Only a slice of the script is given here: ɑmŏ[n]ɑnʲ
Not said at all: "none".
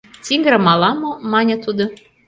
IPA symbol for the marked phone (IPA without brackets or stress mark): m